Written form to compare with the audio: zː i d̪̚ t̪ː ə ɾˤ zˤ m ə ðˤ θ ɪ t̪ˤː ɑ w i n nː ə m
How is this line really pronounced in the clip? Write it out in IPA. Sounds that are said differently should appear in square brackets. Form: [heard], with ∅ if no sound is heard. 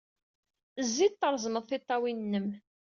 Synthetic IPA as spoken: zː i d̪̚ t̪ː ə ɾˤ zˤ m ə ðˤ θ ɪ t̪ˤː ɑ w i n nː ə m